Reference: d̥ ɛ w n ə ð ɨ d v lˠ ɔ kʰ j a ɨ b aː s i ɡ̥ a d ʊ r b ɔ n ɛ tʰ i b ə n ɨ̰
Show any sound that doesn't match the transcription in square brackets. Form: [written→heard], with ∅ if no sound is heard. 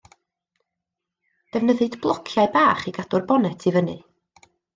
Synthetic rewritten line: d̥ ɛ [w→v] n ə ð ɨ d [v→b] lˠ ɔ kʰ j a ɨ b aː [s→χ] i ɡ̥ a d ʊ r b ɔ n ɛ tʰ i [b→v] ə n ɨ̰